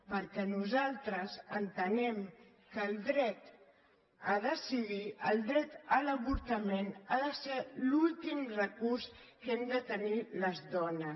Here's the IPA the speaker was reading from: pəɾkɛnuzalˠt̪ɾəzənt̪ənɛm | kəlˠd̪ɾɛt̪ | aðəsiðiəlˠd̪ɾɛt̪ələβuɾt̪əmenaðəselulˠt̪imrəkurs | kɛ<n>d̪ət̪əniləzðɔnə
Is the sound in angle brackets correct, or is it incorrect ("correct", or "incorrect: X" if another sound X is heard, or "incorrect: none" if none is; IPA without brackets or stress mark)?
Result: incorrect: m